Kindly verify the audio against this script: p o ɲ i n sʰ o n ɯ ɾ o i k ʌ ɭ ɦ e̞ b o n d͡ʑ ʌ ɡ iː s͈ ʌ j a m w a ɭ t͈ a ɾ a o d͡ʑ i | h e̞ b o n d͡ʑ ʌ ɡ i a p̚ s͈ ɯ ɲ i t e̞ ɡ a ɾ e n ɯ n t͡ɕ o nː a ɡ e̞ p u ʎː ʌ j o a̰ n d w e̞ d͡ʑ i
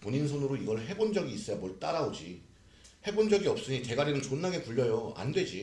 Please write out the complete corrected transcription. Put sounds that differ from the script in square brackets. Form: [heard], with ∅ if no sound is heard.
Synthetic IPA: p o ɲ i n sʰ o n ɯ ɾ o i [ɡ] ʌ ɭ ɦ e̞ b o n d͡ʑ ʌ ɡ iː s͈ ʌ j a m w [ʌ] ɭ t͈ a ɾ a o d͡ʑ i | h e̞ b o n d͡ʑ ʌ ɡ i [ʌ] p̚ s͈ ɯ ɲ i t e̞ ɡ a ɾ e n ɯ n t͡ɕ o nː a ɡ e̞ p u ʎː ʌ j o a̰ n d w e̞ d͡ʑ i